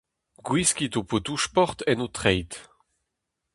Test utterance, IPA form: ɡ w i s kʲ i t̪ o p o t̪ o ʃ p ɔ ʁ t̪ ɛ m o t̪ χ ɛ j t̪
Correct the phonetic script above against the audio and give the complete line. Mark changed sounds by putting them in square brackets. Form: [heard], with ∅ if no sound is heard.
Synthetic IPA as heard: ɡ w i s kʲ i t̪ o p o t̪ [u] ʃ p ɔ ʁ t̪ ɛ [n] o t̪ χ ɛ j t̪